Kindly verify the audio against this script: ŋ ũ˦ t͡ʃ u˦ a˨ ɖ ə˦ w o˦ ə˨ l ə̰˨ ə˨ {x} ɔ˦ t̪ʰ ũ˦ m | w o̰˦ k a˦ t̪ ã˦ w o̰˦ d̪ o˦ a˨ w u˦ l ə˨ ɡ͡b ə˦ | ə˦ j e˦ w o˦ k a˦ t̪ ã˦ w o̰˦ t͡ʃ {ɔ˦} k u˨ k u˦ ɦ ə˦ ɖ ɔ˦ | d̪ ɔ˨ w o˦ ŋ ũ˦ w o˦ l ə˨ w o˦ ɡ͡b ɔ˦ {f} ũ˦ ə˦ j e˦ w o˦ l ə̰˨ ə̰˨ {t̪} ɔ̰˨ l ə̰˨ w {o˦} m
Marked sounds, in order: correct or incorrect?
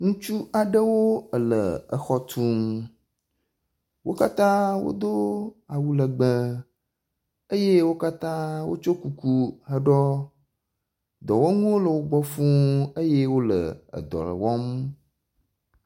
correct, incorrect: o˦, correct, incorrect: d̪, incorrect: ɔ˦

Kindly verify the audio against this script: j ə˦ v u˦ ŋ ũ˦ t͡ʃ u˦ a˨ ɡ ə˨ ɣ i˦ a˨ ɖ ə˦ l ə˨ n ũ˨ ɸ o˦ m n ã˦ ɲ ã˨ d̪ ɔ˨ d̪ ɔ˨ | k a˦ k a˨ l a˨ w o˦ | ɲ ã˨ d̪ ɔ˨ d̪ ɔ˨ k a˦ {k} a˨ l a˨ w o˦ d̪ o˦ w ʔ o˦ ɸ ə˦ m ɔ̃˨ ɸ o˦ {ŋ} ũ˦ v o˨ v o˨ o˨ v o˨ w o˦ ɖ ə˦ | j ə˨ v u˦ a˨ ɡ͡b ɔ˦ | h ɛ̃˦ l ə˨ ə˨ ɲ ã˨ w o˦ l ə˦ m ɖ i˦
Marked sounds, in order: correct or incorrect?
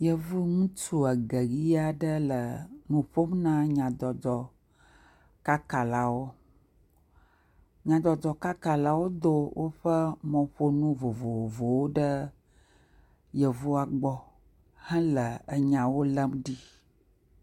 correct, incorrect: n

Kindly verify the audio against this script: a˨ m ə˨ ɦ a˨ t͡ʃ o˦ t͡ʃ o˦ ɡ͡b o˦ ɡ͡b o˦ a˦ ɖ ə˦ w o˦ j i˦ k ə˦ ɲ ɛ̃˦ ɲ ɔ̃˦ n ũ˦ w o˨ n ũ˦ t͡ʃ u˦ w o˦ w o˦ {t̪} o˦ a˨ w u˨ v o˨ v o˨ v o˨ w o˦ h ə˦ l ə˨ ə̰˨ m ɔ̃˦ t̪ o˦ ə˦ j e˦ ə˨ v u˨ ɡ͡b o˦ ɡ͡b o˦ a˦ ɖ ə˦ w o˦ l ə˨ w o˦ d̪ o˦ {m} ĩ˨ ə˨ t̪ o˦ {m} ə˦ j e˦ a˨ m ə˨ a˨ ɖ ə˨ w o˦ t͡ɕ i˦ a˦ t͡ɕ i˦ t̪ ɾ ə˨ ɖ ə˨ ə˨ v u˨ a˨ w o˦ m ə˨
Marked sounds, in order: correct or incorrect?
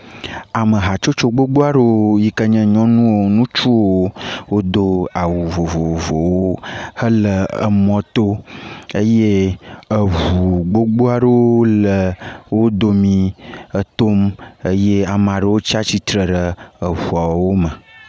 incorrect: d̪, correct, correct

